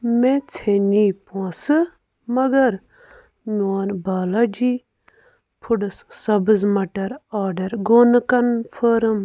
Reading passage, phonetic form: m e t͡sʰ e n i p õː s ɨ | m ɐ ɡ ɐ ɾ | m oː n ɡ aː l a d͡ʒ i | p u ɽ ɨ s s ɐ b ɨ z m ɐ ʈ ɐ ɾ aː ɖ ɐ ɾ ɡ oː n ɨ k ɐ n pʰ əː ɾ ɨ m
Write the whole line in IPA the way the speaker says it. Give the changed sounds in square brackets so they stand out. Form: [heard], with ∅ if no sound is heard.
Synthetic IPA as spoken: m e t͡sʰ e n i p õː s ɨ | m ɐ ɡ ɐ ɾ | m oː n [b] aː l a d͡ʒ i | [pʰ] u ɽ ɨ s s ɐ b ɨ z m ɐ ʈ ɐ ɾ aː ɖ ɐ ɾ ɡ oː n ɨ k ɐ n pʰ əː ɾ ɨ m